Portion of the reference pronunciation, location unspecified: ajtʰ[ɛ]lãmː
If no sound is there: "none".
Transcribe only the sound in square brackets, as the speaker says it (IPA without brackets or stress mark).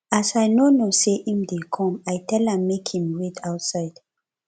ɛ